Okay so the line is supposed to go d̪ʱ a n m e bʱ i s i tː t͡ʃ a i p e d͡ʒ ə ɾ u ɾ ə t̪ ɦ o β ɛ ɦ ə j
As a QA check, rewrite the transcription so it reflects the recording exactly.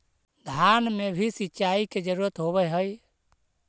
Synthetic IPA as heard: d̪ʱ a n m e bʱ i s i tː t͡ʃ a i k e d͡ʒ ə ɾ u ɾ ə t̪ ɦ o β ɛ ɦ ə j